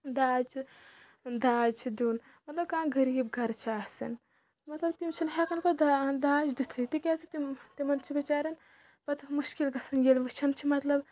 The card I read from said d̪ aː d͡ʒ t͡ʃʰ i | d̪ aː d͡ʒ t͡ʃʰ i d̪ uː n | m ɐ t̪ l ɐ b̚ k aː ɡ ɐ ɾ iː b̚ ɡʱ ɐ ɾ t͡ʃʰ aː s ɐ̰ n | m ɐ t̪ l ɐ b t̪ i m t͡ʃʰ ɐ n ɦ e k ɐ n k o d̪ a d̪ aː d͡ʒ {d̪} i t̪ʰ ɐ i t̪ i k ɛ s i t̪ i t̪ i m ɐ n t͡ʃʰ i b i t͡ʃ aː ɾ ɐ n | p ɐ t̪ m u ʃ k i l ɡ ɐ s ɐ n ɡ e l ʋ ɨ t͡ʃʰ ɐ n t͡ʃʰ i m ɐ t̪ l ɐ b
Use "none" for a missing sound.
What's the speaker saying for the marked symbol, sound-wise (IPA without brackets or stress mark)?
d̪